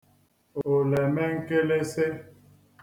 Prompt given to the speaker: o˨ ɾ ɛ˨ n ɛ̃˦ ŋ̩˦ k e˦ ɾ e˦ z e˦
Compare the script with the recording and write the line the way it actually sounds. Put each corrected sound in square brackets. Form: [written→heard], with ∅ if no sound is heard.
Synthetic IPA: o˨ [ɾ→l] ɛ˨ [n→m] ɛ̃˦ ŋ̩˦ k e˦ [ɾ→l] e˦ [z→s] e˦